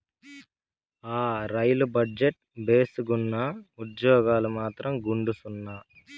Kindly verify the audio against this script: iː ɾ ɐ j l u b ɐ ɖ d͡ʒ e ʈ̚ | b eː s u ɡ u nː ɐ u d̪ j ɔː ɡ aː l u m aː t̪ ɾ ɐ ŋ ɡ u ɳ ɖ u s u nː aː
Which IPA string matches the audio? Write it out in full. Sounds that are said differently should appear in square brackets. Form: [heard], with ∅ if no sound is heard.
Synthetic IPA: [aː] ɾ ɐ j l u b ɐ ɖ d͡ʒ e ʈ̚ | b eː s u ɡ u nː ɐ u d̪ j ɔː ɡ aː l u m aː t̪ ɾ ɐ [m] ɡ u ɳ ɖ u s u nː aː

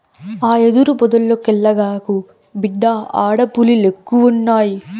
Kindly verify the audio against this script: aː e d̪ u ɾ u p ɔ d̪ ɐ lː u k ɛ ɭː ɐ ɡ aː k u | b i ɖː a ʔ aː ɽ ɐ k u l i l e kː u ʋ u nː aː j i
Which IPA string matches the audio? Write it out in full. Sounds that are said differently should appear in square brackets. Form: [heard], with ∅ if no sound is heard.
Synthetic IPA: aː e d̪ u ɾ u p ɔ d̪ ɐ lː [o] k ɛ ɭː ɐ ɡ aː k u | b i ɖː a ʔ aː ɽ ɐ [p] u l i l e kː u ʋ u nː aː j i

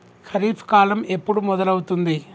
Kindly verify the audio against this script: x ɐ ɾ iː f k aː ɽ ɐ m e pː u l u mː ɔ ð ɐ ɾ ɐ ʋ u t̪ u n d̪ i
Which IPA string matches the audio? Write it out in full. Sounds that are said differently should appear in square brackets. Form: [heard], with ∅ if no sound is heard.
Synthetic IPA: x ɐ ɾ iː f k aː [l] ɐ m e pː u [ɽ] u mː ɔ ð ɐ [l] ɐ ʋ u t̪ u n d̪ i

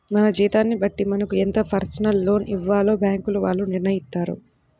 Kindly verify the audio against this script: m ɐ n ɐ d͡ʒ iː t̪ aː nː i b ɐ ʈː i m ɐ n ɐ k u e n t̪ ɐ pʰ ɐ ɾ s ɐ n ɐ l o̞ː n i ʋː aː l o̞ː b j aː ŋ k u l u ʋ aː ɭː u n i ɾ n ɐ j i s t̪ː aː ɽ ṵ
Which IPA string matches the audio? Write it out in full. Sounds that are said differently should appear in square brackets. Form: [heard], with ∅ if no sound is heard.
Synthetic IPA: m ɐ n ɐ d͡ʒ iː t̪ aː nː i b ɐ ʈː i m ɐ n ɐ k u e n t̪ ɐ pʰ ɐ ɾ s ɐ n ɐ [lː] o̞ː n i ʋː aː l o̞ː b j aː ŋ k u l u ʋ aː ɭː u n i ɾ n ɐ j i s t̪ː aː [ɾ] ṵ

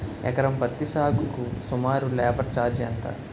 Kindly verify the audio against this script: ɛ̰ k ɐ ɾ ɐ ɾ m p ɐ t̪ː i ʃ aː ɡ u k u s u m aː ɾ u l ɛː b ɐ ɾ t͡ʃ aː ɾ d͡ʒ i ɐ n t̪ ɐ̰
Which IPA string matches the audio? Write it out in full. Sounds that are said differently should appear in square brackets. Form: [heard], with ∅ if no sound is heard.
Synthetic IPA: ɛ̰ k ɐ ɾ ɐ [∅] m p ɐ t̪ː i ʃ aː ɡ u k u s u m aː ɾ u l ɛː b ɐ ɾ t͡ʃ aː ɾ d͡ʒ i ɐ n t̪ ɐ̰

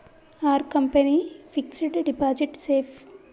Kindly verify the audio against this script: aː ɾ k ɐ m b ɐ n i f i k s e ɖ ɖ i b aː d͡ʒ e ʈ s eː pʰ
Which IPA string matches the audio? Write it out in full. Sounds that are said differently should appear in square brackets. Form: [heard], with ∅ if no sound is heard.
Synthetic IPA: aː ɾ k ɐ m [p] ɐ n i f i k s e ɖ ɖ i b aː d͡ʒ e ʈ s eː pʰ

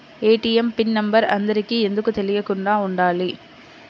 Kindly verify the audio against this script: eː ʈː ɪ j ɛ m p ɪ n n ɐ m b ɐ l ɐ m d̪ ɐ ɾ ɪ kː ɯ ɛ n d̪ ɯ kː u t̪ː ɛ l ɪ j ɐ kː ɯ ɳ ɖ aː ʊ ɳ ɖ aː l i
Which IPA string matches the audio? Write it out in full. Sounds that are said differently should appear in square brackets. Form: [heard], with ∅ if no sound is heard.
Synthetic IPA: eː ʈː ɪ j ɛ m p ɪ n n ɐ m b ɐ [ɾ] ɐ [n] d̪ ɐ ɾ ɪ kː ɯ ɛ n d̪ ɯ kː [ɯ] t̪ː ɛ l ɪ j ɐ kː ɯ ɳ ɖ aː ʊ ɳ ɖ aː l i

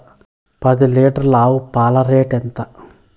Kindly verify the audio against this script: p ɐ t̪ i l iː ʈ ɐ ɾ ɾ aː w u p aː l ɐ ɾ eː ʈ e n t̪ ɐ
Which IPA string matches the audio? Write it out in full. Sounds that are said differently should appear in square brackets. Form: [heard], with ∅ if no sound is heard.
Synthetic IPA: p ɐ [d̪] i l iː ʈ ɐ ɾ [l] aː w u p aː l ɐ ɾ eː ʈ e n t̪ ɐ

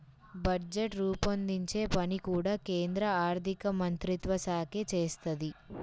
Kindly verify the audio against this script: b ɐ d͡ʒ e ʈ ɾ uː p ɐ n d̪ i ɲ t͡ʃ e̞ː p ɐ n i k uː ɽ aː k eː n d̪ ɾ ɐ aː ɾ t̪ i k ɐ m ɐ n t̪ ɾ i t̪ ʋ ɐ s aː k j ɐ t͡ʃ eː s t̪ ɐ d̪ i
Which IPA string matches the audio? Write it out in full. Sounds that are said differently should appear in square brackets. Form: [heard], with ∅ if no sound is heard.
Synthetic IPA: b ɐ d͡ʒ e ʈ ɾ uː p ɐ n d̪ i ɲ t͡ʃ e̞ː p ɐ n i k uː ɽ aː k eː n d̪ ɾ ɐ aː ɾ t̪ i k ɐ m ɐ n t̪ ɾ i t̪ ʋ ɐ s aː k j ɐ t͡ʃ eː s t̪ ɐ d̪ i

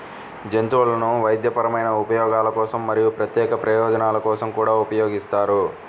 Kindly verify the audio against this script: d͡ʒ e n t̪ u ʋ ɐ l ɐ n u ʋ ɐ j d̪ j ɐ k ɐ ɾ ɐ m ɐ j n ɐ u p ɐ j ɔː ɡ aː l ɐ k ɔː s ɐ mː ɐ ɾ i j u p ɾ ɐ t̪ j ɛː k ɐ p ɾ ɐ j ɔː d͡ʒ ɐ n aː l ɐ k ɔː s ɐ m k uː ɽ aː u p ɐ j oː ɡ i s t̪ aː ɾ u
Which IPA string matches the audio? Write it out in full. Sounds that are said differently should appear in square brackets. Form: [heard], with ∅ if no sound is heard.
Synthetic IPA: d͡ʒ e n t̪ u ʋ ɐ l ɐ n u ʋ ɐ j d̪ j ɐ [p] ɐ ɾ ɐ m ɐ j n ɐ u p ɐ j ɔː ɡ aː l ɐ k ɔː s ɐ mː ɐ ɾ i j u p ɾ ɐ t̪ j ɛː k ɐ p ɾ ɐ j ɔː d͡ʒ ɐ n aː l ɐ k ɔː s ɐ m k uː ɽ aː u p ɐ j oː ɡ i s t̪ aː ɾ u

